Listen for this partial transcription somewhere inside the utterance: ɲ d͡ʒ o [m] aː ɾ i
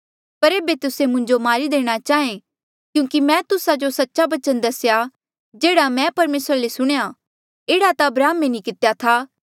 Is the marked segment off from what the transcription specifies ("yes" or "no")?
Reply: no